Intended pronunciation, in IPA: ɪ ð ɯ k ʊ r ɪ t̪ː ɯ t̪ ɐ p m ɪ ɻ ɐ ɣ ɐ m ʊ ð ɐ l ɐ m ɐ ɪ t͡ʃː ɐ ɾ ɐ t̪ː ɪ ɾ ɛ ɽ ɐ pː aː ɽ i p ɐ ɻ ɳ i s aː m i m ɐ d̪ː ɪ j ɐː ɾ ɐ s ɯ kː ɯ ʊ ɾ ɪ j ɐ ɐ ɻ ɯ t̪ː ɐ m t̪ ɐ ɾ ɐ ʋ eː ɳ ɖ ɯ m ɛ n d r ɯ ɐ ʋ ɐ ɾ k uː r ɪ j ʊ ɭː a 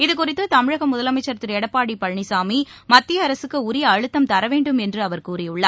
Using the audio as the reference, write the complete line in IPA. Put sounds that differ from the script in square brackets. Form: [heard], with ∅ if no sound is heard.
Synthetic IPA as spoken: ɪ ð ɯ k ʊ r ɪ t̪ː ɯ t̪ ɐ [∅] m ɪ ɻ ɐ ɣ ɐ m ʊ ð ɐ l ɐ m ɐ ɪ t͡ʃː ɐ ɾ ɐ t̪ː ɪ ɾ ɛ ɽ ɐ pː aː ɽ i p ɐ ɻ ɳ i s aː m i m ɐ [t̪ː] ɪ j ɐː ɾ ɐ s ɯ kː ɯ ʊ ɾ ɪ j ɐ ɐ ɻ ɯ t̪ː ɐ m t̪ ɐ ɾ ɐ ʋ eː ɳ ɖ ɯ m ɛ n d r ɯ ɐ ʋ ɐ ɾ k uː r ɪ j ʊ ɭː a

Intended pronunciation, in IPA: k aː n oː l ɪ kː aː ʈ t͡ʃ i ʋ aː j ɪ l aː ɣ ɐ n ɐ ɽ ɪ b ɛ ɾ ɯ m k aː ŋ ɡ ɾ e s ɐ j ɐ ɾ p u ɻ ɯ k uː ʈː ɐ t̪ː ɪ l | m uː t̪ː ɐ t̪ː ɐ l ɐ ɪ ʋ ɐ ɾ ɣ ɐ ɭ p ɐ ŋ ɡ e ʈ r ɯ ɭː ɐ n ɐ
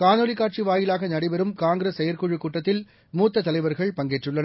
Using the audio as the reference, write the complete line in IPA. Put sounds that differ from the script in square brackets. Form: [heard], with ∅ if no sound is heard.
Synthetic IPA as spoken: k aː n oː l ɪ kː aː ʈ t͡ʃ i ʋ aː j ɪ l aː ɣ ɐ n ɐ ɽ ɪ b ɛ ɾ ɯ m k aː ŋ ɡ ɾ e s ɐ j ɐ ɾ [k] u ɻ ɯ k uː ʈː ɐ t̪ː ɪ l | m uː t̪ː ɐ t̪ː ɐ l ɐ ɪ ʋ ɐ ɾ ɣ ɐ ɭ p ɐ ŋ ɡ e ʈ r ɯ ɭː ɐ n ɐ

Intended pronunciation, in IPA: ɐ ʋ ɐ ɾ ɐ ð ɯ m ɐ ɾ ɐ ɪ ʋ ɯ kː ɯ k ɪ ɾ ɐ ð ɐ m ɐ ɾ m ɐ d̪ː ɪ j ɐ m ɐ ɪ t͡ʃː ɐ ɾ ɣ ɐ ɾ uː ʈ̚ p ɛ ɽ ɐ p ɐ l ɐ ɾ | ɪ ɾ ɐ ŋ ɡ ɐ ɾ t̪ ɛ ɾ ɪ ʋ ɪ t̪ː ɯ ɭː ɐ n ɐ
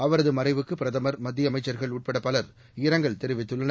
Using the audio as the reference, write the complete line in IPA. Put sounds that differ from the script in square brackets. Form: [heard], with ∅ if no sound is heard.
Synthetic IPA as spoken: ɐ ʋ ɐ ɾ ɐ ð ɯ m ɐ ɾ ɐ ɪ ʋ ɯ kː ɯ [p] ɪ ɾ ɐ ð ɐ m ɐ ɾ m ɐ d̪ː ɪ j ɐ m ɐ ɪ t͡ʃː ɐ ɾ ɣ ɐ [ɭ] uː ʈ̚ p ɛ ɽ ɐ p ɐ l ɐ ɾ | ɪ ɾ ɐ ŋ ɡ ɐ [ɭ] t̪ ɛ ɾ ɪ ʋ ɪ t̪ː ɯ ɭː ɐ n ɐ

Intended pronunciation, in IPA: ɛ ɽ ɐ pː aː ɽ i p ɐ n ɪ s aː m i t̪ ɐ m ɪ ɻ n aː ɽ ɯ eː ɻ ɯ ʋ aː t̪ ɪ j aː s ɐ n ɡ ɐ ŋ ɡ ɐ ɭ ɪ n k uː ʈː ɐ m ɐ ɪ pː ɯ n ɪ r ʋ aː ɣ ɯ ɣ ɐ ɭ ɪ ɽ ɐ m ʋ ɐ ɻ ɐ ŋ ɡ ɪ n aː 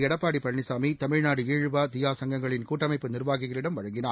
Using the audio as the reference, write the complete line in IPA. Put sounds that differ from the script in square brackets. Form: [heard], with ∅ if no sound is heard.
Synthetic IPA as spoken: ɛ ɽ ɐ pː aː ɽ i p ɐ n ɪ s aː m i t̪ ɐ m ɪ ɻ n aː ɽ ɯ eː ɻ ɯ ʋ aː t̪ ɪ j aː s ɐ [ŋ] ɡ ɐ ŋ ɡ ɐ ɭ ɪ n k uː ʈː ɐ m ɐ ɪ pː ɯ n ɪ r ʋ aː ɣ ɯ ɣ ɐ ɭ ɪ ɽ ɐ m ʋ ɐ ɻ ɐ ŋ ɡ ɪ n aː

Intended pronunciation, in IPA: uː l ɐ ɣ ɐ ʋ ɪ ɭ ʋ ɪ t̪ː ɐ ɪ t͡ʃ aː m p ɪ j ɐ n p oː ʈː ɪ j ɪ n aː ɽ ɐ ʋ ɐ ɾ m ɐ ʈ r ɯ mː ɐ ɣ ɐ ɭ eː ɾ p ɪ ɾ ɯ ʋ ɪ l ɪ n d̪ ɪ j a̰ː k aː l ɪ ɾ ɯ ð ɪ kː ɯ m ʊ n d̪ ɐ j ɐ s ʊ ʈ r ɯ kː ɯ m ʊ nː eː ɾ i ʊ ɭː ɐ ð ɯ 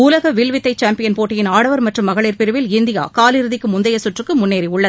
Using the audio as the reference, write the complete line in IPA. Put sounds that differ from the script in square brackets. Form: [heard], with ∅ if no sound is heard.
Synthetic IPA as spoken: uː l ɐ ɣ ɐ ʋ ɪ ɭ ʋ ɪ t̪ː ɐ ɪ t͡ʃ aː m p ɪ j ɐ n p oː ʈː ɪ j ɪ n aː ɽ ɐ ʋ ɐ ɾ m ɐ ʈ r ɯ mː ɐ ɣ ɐ ɭ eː ɾ p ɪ ɾ ɯ ʋ ɪ l ɪ n d̪ ɪ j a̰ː k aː l ɪ ɾ ɯ ð ɪ kː ɯ m ʊ n d̪ ɐ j ɐ s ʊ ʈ r ɯ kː ɯ m ʊ nː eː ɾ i ʊ ɭː ɐ ð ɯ

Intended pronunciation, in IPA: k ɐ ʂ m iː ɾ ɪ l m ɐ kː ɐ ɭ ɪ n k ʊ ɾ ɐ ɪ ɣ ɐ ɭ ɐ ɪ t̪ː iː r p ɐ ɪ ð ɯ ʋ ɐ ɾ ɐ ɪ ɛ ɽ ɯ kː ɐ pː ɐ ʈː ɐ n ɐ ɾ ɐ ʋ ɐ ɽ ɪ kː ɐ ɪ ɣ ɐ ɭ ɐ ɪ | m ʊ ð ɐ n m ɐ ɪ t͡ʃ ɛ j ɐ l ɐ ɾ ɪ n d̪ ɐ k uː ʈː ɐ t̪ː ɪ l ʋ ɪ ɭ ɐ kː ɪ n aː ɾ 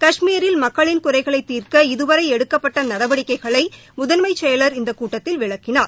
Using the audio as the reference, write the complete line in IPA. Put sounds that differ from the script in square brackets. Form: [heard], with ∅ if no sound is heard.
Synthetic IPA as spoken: k ɐ ʂ m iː ɾ ɪ l m ɐ kː ɐ ɭ ɪ n k ʊ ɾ ɐ ɪ ɣ ɐ ɭ ɐ ɪ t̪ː iː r [k] ɐ ɪ ð ɯ ʋ ɐ ɾ ɐ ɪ ɛ ɽ ɯ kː ɐ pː ɐ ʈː ɐ n ɐ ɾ ɐ ʋ ɐ ɽ ɪ kː ɐ ɪ ɣ ɐ ɭ ɐ ɪ | m ʊ ð ɐ n m ɐ ɪ t͡ʃ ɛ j ɐ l ɐ ɾ ɪ n d̪ ɐ k uː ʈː ɐ t̪ː ɪ l ʋ ɪ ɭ ɐ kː ɪ n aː ɾ

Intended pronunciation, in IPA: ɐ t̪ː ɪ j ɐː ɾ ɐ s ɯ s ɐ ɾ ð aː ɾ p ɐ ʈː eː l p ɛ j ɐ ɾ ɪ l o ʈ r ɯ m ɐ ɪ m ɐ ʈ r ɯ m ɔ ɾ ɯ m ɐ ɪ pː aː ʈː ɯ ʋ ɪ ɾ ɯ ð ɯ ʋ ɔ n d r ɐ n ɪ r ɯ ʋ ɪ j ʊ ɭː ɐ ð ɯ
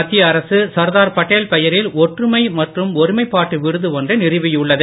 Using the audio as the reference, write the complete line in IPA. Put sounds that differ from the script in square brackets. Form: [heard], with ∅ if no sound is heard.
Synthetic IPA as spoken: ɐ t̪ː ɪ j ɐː ɾ ɐ s ɯ s ɐ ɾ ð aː ɾ p ɐ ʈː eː l p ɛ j ɐ ɾ ɪ l [ɔ] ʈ r ɯ m ɐ ɪ m ɐ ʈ r ɯ m ɔ ɾ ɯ m ɐ ɪ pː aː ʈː ɯ ʋ ɪ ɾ ɯ ð ɯ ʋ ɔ n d r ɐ n ɪ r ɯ ʋ ɪ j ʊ ɭː ɐ ð ɯ

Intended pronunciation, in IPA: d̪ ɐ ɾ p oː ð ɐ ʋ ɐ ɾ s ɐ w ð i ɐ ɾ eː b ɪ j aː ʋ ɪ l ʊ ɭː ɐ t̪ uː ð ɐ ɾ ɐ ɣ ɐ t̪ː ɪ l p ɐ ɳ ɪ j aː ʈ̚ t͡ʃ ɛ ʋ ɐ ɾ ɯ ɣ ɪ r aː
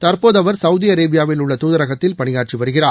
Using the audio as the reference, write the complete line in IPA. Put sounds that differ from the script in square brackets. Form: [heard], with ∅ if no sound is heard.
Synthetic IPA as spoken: [t̪] ɐ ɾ p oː ð ɐ ʋ ɐ ɾ s ɐ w ð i ɐ ɾ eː b ɪ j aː ʋ ɪ l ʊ ɭː ɐ t̪ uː ð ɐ ɾ ɐ ɣ ɐ t̪ː ɪ l p ɐ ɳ ɪ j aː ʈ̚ t͡ʃ [i] ʋ ɐ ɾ ɯ ɣ ɪ r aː

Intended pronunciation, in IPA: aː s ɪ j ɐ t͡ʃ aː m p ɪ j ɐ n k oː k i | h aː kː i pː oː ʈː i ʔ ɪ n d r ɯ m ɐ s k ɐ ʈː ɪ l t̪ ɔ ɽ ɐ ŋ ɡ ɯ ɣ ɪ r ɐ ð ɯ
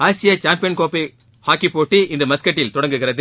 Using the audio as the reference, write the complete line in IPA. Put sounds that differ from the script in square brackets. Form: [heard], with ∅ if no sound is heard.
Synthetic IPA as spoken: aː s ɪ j ɐ t͡ʃ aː m p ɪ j ɐ n k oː [p] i | h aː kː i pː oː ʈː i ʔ ɪ n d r ɯ m ɐ s k ɐ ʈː ɪ l t̪ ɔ ɽ ɐ ŋ ɡ ɯ ɣ ɪ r ɐ ð ɯ

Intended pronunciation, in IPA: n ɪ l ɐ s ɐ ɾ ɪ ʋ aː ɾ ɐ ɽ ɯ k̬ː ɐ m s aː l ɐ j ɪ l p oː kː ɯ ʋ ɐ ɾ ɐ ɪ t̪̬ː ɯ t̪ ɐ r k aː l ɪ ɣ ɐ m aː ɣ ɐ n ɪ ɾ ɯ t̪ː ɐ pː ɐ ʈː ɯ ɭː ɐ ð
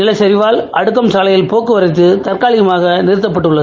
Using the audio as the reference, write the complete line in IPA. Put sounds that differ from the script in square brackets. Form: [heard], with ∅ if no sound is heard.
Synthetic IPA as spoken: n ɪ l ɐ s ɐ ɾ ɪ ʋ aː [l] ɐ ɽ ɯ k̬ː ɐ m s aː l ɐ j ɪ l p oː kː ɯ ʋ ɐ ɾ ɐ ɪ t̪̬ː ɯ t̪ ɐ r k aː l ɪ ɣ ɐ m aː ɣ ɐ n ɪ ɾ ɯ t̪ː ɐ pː ɐ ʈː ɯ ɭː ɐ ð

